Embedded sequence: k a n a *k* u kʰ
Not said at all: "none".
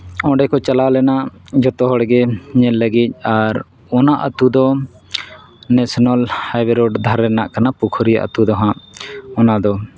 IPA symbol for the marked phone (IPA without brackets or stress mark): p